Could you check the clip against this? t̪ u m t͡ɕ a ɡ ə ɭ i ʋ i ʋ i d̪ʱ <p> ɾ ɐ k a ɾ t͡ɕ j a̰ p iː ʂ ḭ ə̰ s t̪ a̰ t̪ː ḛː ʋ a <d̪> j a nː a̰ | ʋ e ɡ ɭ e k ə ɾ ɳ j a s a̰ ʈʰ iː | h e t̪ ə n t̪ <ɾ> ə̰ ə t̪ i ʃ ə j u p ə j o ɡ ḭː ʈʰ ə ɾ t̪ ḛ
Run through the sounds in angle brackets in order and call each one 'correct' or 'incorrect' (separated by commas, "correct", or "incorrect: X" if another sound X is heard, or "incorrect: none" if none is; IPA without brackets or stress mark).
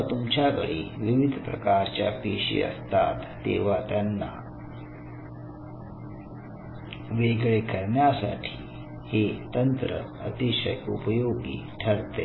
correct, incorrect: t̪, correct